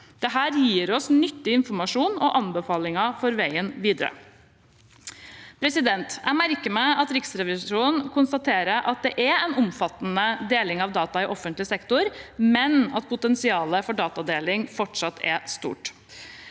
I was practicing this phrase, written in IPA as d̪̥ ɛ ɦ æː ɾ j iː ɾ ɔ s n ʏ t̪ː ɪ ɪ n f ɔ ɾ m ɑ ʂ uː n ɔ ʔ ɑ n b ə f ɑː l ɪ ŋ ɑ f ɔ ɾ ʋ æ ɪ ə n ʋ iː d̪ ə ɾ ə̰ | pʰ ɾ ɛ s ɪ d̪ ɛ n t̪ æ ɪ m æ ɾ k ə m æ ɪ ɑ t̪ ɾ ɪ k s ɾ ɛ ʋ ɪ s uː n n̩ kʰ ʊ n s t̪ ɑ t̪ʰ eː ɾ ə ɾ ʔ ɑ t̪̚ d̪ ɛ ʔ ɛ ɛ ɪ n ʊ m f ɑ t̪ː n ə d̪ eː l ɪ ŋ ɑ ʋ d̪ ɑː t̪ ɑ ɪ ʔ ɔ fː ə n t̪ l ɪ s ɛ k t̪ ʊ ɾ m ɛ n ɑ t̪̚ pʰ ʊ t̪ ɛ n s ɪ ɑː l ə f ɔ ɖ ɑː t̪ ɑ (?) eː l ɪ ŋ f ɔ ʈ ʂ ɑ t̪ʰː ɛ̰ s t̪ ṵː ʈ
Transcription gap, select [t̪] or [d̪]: d̪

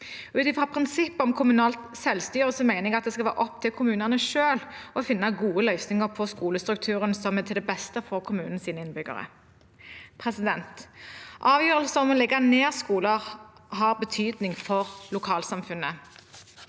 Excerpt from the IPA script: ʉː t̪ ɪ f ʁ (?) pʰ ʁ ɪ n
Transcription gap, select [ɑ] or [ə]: ɑ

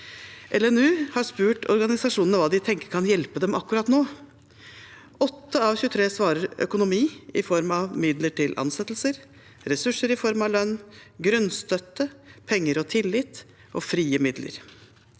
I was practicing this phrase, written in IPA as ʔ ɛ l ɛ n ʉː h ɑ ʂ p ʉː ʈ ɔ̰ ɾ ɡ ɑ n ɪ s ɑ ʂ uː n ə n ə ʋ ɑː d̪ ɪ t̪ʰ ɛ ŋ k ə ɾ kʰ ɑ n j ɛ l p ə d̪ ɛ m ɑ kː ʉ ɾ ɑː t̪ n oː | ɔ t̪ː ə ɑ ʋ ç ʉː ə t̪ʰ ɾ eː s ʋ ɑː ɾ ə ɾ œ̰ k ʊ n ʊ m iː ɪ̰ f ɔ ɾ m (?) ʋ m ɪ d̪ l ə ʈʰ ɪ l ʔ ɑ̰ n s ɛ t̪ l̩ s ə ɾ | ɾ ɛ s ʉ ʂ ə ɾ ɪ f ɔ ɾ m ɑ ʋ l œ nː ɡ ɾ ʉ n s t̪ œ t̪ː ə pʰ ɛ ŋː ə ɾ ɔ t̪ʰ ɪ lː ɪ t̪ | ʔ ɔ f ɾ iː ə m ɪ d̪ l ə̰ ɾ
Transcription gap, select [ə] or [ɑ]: ɑ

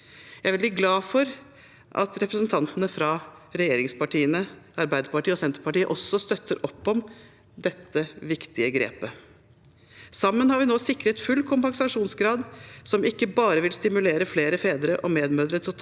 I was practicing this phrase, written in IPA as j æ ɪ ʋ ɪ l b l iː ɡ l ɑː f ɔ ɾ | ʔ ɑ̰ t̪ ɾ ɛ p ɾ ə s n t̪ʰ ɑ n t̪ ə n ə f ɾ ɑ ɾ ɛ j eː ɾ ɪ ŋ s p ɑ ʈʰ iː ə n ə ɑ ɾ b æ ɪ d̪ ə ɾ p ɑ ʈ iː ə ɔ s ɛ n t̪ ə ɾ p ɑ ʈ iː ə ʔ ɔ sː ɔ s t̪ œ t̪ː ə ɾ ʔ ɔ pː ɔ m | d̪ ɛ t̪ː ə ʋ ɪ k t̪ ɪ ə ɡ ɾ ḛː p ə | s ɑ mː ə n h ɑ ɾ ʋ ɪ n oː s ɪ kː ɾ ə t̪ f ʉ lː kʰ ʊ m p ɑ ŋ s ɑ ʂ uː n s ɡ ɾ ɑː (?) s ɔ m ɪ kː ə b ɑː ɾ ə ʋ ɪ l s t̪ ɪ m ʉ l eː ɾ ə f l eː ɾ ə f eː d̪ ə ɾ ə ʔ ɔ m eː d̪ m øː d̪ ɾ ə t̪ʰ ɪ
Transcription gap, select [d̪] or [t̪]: d̪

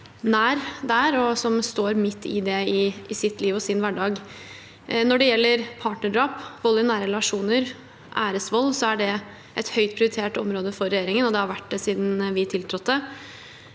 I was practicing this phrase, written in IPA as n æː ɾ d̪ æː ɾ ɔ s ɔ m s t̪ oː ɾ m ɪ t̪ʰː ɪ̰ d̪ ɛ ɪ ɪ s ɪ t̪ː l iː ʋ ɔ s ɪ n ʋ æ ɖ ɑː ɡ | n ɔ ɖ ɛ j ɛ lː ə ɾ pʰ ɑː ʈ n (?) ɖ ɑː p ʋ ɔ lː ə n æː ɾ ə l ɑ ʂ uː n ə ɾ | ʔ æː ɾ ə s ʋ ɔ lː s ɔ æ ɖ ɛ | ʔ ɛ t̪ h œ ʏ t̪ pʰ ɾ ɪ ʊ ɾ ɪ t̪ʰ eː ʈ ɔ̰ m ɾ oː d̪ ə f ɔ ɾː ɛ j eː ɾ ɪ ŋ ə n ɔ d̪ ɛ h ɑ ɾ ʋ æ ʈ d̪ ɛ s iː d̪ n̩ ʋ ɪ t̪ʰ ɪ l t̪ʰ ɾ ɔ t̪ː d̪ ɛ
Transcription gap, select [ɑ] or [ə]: ə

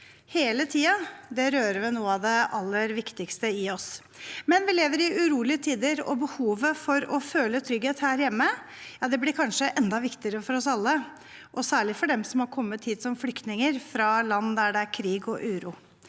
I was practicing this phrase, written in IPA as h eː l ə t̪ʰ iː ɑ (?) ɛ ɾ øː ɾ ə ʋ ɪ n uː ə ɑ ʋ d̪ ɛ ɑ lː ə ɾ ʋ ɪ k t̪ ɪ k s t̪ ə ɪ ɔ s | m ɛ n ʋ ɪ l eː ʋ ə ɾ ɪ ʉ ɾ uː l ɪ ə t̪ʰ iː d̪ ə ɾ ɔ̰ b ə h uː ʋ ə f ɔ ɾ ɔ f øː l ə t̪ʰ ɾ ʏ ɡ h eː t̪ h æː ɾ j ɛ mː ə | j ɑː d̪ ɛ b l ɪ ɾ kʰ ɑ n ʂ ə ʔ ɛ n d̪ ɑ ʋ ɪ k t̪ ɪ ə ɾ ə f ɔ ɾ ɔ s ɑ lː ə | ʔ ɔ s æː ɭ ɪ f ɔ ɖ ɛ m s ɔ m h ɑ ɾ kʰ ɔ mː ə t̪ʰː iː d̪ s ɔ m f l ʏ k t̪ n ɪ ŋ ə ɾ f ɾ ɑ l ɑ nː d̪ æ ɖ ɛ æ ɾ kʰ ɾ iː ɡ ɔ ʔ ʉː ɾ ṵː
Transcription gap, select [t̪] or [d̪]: d̪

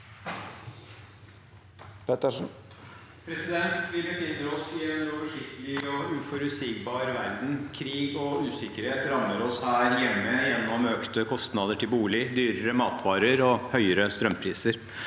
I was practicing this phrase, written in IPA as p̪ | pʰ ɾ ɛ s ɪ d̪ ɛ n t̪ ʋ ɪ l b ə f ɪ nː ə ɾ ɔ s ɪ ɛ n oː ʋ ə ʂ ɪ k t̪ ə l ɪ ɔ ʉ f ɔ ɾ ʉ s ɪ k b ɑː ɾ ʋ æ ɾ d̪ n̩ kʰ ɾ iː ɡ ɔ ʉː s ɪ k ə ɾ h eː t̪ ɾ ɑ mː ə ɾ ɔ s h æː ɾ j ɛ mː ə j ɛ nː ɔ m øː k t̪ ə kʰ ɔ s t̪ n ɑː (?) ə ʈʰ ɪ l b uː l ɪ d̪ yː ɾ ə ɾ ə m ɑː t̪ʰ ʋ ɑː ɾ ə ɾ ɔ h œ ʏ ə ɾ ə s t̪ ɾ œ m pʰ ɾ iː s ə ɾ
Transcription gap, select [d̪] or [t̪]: d̪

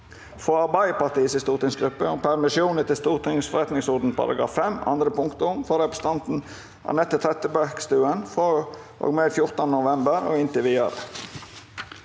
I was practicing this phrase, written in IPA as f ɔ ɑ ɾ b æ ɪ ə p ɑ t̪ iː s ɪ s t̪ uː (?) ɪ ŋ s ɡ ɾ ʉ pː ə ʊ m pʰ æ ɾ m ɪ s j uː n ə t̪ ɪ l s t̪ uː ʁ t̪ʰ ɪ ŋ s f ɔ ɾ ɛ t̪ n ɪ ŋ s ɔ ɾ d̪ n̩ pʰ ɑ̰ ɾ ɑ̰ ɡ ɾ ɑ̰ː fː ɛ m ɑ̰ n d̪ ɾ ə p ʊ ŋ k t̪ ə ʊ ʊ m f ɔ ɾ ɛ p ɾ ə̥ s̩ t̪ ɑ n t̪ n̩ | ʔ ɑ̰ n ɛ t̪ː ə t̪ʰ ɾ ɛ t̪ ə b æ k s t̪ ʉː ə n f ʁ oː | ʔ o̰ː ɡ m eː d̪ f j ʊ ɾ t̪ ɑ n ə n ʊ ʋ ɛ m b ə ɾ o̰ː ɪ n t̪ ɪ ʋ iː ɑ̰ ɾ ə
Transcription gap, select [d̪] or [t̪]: t̪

